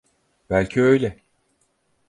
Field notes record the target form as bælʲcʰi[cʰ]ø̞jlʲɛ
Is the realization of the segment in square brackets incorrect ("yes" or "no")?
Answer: yes